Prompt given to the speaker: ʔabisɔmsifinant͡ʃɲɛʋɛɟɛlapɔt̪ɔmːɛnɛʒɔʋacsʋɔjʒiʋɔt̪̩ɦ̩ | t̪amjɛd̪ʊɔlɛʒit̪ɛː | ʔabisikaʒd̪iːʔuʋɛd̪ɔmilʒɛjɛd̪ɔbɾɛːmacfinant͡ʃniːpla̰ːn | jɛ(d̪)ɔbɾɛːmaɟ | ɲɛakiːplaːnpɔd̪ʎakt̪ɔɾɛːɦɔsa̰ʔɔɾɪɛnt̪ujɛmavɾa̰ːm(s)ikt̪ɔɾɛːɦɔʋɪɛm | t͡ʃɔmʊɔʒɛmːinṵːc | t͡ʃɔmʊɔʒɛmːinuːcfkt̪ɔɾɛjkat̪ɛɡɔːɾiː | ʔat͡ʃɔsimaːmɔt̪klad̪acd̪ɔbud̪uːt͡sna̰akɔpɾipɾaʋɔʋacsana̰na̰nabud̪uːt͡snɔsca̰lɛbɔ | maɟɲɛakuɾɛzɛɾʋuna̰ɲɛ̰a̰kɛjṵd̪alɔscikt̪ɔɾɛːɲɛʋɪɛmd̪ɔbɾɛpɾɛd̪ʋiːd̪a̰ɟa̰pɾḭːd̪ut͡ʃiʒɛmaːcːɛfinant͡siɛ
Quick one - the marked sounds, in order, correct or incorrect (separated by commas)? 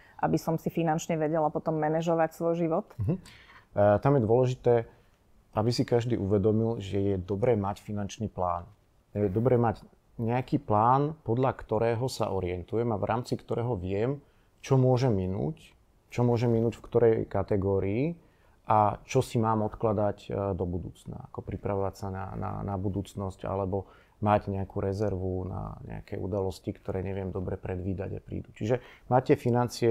correct, incorrect